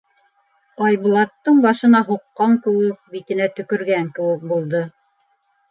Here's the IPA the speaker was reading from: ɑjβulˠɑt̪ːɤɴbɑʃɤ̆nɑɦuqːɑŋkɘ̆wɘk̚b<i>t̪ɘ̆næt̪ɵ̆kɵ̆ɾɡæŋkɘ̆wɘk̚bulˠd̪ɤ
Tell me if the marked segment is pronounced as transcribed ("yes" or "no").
yes